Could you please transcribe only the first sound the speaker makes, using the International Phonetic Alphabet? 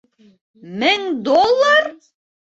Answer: m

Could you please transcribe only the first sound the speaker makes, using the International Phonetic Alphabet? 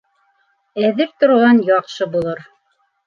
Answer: æ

